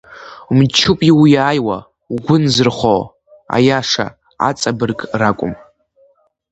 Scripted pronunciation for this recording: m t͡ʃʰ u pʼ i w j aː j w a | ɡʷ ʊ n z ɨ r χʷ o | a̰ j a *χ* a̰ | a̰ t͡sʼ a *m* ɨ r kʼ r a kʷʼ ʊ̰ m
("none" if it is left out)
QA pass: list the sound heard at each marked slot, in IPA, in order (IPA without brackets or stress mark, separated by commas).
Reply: ʂ, b